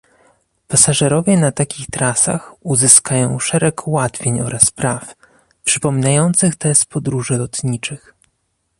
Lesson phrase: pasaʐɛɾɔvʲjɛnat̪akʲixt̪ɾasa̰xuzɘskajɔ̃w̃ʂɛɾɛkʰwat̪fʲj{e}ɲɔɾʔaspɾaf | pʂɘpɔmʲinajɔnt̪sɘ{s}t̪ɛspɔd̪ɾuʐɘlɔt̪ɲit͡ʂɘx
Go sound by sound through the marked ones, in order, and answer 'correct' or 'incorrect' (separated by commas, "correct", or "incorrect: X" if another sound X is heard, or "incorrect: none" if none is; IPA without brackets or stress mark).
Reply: correct, incorrect: x